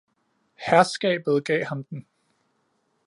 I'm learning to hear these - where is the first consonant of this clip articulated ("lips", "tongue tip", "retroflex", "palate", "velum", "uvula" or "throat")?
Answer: throat